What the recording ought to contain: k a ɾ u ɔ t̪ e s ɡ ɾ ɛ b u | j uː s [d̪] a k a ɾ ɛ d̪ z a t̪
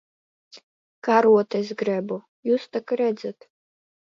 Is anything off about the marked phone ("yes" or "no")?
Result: yes